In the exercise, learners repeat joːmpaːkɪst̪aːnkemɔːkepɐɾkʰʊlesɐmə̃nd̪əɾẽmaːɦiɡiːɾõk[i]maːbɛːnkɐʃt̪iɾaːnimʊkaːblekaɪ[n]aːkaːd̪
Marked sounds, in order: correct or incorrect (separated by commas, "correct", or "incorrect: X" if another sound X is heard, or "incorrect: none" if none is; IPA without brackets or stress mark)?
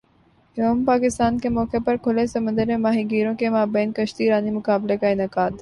incorrect: e, correct